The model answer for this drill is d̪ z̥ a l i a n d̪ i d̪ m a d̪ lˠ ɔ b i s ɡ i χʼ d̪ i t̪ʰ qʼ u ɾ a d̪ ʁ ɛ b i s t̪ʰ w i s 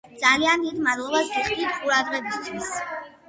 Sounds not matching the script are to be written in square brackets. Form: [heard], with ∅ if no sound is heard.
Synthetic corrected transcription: d̪ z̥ a l i a n d̪ i d̪ m a d̪ lˠ ɔ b [a] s ɡ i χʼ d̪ i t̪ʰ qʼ u ɾ a d̪ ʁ ɛ b i s t̪ʰ w i s